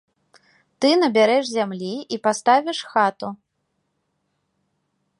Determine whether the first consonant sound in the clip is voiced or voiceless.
voiceless